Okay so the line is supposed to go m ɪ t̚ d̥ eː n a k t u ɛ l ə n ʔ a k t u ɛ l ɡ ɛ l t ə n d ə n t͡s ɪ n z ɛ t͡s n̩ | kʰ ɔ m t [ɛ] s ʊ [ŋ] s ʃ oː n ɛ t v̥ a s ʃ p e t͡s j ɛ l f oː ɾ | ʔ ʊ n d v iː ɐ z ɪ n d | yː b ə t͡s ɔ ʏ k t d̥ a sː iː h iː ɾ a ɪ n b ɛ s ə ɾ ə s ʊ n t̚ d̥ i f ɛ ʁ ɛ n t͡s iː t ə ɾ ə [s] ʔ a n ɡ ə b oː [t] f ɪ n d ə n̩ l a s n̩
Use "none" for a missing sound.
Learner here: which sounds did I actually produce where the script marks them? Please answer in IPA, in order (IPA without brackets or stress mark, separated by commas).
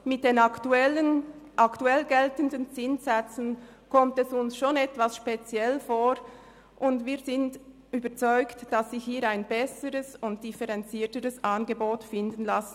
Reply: ɛ, n, s, t